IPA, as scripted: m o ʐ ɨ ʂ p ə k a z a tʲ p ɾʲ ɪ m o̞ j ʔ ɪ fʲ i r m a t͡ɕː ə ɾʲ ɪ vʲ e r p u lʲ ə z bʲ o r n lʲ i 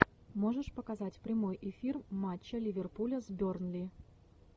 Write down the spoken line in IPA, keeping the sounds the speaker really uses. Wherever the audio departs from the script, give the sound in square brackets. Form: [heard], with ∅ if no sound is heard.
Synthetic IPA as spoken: m o ʐ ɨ ʂ p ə k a z a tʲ p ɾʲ ɪ m o̞ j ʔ ɪ fʲ i r m a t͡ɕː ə [lʲ] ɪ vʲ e r p u lʲ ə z bʲ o r n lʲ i